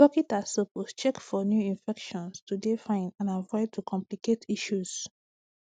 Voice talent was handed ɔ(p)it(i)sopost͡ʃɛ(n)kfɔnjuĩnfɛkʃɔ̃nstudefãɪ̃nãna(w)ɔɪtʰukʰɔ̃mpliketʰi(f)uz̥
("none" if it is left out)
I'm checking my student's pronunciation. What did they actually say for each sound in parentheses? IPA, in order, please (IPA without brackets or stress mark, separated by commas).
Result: k, a, none, v, ʃ